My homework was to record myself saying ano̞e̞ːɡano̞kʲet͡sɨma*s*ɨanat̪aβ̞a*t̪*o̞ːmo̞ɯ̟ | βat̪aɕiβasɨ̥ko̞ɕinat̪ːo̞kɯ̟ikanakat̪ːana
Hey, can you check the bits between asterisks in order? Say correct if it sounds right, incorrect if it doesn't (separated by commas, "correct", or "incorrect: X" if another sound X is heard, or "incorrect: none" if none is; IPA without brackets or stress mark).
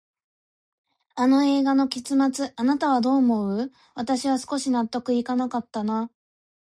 incorrect: t͡s, incorrect: d̪